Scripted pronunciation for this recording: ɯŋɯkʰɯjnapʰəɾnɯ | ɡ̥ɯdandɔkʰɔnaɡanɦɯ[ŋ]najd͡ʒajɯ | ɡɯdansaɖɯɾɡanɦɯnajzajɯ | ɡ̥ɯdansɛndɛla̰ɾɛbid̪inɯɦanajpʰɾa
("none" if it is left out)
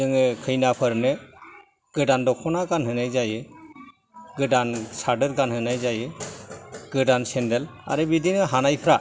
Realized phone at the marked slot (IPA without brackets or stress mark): none